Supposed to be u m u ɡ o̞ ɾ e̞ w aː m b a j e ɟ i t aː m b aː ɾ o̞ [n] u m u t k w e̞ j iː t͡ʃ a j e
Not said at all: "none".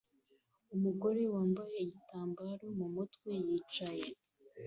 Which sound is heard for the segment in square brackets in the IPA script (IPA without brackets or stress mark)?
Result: m